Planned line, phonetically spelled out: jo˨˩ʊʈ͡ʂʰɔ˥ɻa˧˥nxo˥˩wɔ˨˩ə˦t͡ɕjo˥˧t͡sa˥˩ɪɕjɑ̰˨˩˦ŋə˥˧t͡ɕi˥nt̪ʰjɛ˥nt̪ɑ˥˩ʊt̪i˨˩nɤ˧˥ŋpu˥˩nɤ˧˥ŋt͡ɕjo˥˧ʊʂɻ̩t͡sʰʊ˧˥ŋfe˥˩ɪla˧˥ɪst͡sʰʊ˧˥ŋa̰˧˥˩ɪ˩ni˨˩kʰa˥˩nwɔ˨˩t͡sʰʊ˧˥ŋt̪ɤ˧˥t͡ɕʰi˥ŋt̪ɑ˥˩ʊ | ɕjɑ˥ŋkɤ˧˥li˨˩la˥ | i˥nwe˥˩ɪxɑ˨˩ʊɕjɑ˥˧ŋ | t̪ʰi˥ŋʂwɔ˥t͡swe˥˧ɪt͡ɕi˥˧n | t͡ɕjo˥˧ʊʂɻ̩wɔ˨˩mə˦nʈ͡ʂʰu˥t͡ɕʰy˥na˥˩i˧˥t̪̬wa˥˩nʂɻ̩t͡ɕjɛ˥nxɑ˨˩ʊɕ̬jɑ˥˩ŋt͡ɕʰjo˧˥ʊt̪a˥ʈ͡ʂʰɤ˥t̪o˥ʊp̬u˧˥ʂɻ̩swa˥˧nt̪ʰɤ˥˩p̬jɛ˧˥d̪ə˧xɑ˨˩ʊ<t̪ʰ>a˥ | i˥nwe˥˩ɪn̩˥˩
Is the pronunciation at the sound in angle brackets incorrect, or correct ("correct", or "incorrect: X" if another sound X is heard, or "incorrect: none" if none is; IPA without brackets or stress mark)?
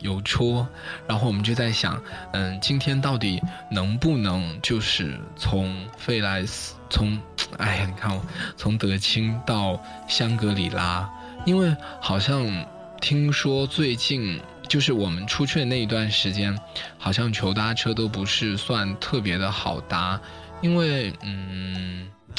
incorrect: t̪